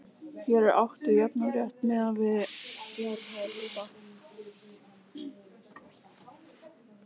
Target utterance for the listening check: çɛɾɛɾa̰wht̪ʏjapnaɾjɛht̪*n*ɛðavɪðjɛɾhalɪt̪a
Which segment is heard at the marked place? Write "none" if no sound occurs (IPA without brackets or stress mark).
m